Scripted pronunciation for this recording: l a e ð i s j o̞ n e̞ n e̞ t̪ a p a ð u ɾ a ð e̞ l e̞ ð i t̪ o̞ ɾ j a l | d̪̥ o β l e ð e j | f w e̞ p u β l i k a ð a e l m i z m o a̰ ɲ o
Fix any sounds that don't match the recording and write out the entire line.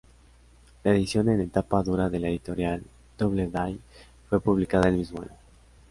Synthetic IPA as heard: l a e ð i s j o̞ n e̞ n e̞ t̪ a p a ð u ɾ a ð e̞ l e̞ ð i t̪ o̞ ɾ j a l | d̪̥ o β l e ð a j | f w e̞ p u β l i k a ð a e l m i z m o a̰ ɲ o